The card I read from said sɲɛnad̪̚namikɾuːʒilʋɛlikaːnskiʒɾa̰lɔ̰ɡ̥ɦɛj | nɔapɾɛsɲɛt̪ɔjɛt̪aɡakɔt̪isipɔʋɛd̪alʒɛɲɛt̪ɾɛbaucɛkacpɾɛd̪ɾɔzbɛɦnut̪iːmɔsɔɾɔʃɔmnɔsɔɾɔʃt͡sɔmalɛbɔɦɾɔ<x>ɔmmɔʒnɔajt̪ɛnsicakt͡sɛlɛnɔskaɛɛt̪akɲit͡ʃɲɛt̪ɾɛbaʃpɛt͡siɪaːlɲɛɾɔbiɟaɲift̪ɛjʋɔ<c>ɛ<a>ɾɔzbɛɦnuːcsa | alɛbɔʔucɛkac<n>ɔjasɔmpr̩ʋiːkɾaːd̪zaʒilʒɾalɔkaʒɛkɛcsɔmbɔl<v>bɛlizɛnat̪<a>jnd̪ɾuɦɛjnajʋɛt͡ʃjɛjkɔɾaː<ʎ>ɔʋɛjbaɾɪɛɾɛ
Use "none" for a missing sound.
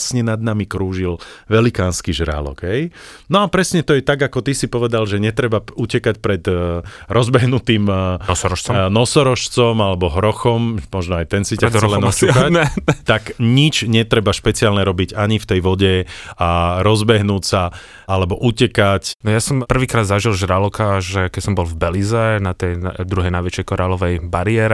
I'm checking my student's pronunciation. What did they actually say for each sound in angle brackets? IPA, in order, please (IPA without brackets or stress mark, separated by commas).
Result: x, ɟ, a, n, v, ɛ, l